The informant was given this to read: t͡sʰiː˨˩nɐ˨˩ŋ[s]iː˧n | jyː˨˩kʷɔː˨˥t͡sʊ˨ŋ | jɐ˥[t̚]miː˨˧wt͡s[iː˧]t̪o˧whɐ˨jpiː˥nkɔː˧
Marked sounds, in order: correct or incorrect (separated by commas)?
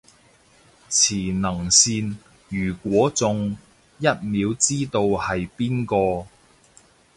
correct, correct, incorrect